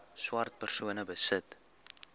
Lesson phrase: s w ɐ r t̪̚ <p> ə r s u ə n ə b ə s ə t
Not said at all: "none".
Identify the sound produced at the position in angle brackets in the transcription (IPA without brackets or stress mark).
p